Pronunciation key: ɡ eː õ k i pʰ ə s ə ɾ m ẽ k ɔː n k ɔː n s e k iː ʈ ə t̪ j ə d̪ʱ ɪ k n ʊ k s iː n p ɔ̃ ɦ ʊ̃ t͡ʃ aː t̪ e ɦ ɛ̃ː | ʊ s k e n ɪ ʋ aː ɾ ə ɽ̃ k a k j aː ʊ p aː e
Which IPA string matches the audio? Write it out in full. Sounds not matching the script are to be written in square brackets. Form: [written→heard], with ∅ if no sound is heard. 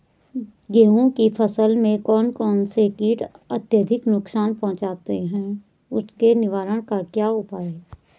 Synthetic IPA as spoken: ɡ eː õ k i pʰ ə s ə [ɾ→l] m ẽ k ɔː n k ɔː n s e k iː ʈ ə t̪ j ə d̪ʱ ɪ k n ʊ k s [iː→aː] n p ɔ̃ ɦ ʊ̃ t͡ʃ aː t̪ e ɦ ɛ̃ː | ʊ s k e n ɪ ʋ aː ɾ ə ɽ̃ k a k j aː ʊ p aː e